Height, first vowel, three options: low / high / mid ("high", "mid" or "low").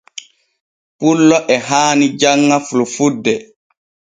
high